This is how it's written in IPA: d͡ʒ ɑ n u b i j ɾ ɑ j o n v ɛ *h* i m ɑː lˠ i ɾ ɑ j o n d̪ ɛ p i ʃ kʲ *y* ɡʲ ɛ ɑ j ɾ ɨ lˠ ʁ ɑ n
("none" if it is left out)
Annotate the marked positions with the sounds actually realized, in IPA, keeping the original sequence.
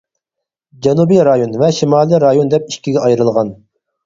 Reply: ʃ, i

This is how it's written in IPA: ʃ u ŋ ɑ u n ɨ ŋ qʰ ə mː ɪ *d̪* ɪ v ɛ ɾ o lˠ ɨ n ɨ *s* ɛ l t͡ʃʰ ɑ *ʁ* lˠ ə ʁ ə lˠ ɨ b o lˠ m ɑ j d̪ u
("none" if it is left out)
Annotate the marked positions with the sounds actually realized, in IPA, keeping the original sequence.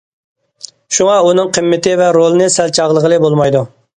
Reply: t̪, s, ʁ

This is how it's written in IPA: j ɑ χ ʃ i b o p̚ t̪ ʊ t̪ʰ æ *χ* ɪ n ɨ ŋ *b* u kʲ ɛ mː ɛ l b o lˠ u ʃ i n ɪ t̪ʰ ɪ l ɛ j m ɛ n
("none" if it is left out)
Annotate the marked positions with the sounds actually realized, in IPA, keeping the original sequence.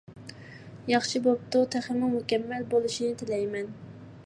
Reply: χ, m

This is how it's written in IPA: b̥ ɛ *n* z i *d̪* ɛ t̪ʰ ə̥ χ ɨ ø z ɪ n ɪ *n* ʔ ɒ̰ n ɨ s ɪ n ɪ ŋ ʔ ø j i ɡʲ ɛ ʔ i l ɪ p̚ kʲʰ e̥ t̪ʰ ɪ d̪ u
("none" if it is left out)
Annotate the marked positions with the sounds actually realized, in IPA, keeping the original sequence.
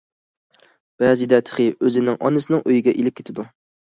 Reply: none, d̪, ŋ

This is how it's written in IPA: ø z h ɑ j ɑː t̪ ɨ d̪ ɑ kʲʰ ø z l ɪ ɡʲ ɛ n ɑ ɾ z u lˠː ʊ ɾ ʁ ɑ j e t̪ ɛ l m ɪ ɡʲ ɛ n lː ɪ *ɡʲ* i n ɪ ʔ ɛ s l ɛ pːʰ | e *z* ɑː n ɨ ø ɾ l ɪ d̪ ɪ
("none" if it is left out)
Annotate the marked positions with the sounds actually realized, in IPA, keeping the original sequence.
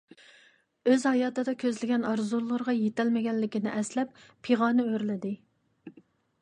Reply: kʲ, ʁ

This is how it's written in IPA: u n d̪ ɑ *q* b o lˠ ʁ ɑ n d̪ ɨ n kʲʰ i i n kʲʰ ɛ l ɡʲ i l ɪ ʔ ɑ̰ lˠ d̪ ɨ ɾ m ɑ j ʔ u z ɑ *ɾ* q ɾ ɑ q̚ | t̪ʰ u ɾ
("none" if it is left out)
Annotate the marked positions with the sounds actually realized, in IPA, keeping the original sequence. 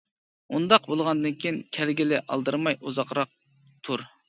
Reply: q, none

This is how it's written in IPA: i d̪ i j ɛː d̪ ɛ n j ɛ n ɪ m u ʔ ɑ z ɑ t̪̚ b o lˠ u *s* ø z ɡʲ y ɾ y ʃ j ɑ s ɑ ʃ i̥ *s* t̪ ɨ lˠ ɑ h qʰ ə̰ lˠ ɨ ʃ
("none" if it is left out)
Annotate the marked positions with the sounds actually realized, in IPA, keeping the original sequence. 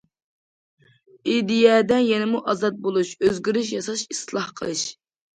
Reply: ʃ, s

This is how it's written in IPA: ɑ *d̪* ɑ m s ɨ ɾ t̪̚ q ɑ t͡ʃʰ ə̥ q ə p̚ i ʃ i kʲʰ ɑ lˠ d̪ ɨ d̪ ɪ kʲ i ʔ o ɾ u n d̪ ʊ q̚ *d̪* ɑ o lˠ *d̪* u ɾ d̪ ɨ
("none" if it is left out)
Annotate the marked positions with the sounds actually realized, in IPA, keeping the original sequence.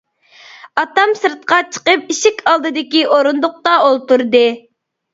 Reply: t̪, t̪, t̪

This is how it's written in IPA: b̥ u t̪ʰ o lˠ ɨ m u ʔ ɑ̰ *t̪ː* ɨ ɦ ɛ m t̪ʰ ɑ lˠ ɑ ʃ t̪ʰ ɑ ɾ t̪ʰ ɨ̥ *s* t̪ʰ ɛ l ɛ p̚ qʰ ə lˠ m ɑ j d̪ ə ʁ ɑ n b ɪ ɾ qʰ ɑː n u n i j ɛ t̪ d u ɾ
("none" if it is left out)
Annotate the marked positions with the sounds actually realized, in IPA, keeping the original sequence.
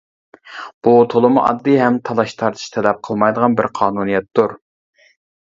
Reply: d̪ː, ʃ

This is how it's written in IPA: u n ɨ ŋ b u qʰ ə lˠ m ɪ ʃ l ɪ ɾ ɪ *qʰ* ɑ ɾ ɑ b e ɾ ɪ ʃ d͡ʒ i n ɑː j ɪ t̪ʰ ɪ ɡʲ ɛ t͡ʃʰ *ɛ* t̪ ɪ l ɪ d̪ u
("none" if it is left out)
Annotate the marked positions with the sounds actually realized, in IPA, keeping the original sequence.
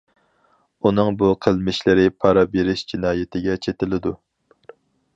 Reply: pʰ, e

